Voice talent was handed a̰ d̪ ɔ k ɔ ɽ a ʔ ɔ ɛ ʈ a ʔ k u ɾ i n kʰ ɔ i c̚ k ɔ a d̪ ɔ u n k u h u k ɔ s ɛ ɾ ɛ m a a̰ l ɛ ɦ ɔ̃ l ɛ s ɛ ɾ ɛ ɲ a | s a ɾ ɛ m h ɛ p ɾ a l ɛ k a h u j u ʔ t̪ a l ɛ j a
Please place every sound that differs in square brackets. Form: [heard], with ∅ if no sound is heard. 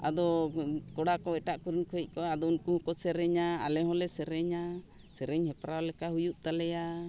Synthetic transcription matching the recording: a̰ d̪ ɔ k ɔ ɽ a [k] ɔ ɛ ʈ a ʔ k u ɾ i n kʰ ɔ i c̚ k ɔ a d̪ ɔ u n k u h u k ɔ s ɛ ɾ ɛ [ɲ] a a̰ l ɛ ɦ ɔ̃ l ɛ s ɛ ɾ ɛ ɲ a | s [ɛ] ɾ ɛ [ɲ] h ɛ p ɾ a l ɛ k a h u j u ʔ t̪ a l ɛ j a